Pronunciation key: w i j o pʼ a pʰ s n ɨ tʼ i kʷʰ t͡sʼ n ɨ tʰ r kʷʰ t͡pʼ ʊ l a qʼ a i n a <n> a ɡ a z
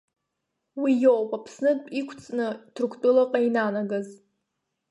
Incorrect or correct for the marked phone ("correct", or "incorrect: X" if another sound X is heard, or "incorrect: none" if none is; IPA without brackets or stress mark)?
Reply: correct